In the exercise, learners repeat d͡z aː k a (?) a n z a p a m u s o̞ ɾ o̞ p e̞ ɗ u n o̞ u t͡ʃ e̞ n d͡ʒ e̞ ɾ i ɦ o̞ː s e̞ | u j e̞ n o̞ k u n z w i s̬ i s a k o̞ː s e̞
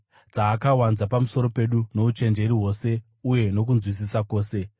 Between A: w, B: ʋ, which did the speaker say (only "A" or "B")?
A